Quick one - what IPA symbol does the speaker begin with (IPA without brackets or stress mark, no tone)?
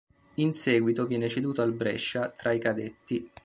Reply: i